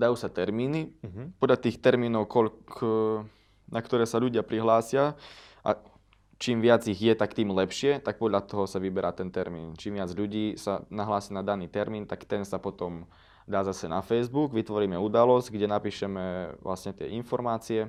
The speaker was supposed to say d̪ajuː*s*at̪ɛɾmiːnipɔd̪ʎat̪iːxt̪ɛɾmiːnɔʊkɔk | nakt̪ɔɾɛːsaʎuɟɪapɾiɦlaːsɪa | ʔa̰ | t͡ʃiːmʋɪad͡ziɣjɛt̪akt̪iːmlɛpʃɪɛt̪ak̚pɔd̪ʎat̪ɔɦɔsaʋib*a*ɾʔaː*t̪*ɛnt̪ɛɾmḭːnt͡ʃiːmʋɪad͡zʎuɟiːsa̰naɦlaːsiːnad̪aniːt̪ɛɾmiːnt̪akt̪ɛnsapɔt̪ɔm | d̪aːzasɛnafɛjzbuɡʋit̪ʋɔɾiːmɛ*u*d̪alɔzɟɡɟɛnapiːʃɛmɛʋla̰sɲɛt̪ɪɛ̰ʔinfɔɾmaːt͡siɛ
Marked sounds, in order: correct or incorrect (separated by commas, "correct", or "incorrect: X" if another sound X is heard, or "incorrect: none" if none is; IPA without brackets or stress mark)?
correct, incorrect: ɛ, correct, correct